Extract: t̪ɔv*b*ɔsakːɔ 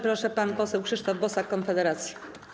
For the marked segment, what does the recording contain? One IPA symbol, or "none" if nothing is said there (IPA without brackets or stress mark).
b